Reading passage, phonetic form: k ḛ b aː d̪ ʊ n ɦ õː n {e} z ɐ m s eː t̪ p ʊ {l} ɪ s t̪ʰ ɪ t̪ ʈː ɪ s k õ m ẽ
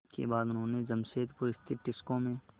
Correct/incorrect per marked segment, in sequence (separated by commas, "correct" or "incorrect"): correct, incorrect